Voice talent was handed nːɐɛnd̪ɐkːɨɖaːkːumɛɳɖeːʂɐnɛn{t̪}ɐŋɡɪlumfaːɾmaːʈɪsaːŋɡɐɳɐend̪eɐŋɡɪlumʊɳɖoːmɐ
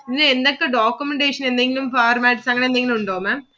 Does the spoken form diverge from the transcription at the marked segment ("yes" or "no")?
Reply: yes